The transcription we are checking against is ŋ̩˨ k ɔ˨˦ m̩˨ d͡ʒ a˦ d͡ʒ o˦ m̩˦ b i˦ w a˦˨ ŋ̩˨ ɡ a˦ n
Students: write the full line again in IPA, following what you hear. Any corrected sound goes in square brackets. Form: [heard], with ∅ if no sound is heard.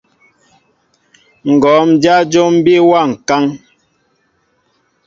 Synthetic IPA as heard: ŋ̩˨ [ɡ] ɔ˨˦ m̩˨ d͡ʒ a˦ d͡ʒ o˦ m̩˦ b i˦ w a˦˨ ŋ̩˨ [k] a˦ [ŋ]

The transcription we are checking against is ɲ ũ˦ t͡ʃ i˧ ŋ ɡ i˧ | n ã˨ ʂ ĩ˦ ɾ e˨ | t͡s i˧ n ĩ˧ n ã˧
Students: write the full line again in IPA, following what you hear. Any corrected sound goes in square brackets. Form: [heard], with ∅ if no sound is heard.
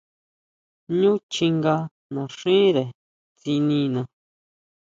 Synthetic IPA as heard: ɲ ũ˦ t͡ʃ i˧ ŋ ɡ [a˧] | n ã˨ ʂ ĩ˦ ɾ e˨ | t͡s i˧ n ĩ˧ n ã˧

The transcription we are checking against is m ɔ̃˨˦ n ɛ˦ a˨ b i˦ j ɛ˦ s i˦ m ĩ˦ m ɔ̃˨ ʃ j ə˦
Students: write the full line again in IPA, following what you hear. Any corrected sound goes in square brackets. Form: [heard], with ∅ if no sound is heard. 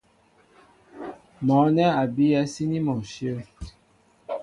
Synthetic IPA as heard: m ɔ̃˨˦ n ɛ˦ a˨ b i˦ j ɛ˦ s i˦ [n] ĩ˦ m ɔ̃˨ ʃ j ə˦

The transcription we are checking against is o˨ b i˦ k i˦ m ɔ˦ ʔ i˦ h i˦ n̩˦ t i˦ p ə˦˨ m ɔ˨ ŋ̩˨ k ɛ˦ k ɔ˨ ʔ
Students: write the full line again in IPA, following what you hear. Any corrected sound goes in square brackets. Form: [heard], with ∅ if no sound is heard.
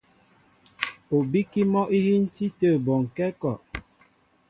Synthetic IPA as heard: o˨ b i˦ k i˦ m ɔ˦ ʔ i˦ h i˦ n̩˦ t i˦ [t] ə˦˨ [b] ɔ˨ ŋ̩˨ k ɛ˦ k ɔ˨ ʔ

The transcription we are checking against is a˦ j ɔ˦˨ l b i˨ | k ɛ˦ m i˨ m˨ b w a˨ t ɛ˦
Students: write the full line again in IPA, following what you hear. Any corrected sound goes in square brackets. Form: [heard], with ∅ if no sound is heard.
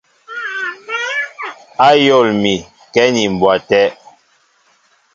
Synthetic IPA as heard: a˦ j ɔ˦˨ l [m] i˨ | k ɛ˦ [n] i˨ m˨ b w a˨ t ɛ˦

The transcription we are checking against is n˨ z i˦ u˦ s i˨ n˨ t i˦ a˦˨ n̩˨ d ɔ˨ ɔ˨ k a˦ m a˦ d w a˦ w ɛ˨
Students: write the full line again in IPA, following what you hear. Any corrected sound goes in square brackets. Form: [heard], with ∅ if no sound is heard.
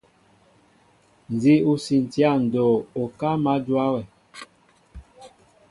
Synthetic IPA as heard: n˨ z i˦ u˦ s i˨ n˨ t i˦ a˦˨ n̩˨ d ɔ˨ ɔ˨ k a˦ m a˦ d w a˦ w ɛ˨

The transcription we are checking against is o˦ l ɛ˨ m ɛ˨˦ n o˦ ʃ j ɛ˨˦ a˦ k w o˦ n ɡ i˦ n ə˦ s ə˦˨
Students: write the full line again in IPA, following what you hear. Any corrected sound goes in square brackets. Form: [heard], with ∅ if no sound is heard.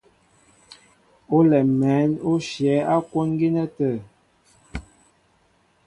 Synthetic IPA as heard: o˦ l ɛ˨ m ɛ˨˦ n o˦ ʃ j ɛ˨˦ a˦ k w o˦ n ɡ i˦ n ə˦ [t] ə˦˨

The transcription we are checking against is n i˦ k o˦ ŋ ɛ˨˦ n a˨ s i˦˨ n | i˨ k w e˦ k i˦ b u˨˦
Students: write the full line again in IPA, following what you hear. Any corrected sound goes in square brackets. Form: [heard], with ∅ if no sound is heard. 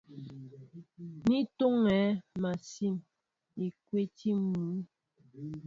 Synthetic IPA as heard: n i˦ [t] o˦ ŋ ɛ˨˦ [m] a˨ s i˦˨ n | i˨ k w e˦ [t] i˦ [m] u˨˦

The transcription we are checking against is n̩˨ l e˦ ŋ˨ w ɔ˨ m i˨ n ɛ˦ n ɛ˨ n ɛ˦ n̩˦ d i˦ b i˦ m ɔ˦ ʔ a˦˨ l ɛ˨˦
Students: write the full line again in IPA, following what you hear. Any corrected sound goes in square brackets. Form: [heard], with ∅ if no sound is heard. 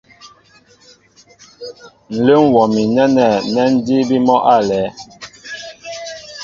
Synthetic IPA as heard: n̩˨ l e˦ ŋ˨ w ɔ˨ m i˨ n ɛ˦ n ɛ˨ n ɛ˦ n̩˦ d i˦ b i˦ m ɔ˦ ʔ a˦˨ l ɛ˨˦

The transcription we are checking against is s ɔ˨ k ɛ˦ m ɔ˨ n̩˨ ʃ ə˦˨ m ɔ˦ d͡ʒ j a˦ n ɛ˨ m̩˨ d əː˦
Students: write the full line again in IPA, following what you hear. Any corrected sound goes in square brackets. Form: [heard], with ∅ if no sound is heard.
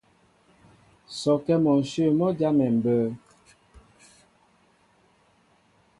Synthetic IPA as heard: s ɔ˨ k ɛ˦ m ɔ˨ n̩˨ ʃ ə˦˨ m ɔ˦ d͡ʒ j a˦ [m] ɛ˨ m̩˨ [b] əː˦

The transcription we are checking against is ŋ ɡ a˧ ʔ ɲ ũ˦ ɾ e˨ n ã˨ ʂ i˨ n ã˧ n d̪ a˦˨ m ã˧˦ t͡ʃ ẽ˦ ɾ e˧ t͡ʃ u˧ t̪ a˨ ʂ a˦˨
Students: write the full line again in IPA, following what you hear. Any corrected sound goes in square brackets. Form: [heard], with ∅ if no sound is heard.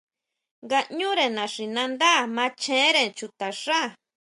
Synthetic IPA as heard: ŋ ɡ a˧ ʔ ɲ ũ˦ ɾ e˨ n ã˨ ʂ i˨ n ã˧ n d̪ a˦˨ m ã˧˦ t͡ʃ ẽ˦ ɾ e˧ t͡ʃ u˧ t̪ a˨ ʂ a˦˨

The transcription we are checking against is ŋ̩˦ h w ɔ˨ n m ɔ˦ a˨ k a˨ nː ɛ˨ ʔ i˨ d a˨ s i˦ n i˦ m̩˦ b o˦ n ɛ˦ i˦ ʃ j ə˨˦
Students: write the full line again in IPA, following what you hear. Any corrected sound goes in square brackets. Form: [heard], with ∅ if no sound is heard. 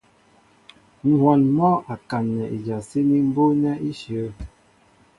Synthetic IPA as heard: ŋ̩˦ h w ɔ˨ n m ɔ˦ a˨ k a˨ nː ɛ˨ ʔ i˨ [d͡ʒ] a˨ s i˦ n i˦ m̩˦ b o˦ n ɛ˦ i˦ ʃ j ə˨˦

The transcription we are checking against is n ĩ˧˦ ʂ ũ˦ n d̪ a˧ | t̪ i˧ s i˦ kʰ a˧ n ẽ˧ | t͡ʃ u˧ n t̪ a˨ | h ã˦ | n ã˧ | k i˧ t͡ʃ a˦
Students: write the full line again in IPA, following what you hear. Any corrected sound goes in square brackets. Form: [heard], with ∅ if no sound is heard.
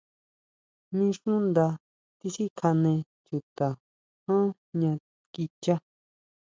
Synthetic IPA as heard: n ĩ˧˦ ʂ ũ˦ n d̪ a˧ | t̪ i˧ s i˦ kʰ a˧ n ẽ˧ | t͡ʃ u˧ [∅] t̪ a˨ | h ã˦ | [ɲ] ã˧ | k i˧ t͡ʃ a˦

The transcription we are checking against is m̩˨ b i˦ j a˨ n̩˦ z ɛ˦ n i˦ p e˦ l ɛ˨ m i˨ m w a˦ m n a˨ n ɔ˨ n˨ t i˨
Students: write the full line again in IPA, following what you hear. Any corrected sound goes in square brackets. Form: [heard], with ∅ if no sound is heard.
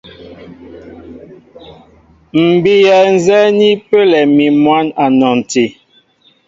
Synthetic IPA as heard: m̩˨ b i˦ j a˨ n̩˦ z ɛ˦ n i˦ p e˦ l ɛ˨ m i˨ m w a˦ [∅] n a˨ n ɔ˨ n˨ t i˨

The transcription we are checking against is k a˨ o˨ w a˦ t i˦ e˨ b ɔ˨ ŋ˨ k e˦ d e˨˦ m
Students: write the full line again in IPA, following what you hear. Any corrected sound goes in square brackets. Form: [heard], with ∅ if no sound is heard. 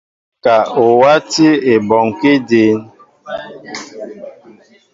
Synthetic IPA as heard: k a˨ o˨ w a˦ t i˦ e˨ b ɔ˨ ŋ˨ k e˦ d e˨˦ [n]

